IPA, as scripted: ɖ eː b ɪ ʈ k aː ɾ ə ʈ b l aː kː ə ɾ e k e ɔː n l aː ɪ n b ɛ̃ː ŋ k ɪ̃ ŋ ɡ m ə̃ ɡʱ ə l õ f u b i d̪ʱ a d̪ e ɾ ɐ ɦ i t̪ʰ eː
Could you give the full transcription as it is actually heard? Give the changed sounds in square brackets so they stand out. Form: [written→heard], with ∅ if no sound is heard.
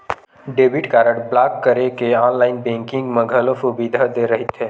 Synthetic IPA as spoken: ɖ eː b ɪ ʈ k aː ɾ ə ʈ b l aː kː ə ɾ e k e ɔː n l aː ɪ n b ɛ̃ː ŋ k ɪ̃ ŋ ɡ m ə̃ ɡʱ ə l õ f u b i d̪ʱ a d̪ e ɾ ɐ ɦ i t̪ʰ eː